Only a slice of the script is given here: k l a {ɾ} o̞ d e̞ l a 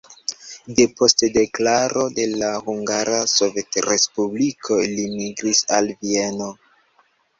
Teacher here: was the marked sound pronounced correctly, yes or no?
yes